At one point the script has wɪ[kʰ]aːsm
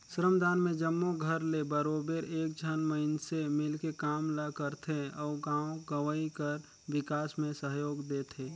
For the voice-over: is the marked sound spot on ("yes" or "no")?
no